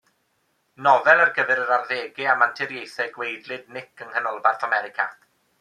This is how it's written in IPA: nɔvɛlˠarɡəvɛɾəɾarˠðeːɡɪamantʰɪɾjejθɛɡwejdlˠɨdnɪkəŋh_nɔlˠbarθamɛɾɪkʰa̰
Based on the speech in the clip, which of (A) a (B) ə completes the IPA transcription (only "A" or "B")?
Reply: B